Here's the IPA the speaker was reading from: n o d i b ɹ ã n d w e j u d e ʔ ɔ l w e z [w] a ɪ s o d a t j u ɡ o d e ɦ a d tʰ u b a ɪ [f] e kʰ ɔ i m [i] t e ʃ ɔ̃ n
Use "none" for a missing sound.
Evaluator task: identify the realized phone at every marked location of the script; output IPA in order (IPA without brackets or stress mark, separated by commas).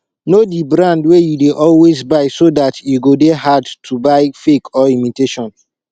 b, f, i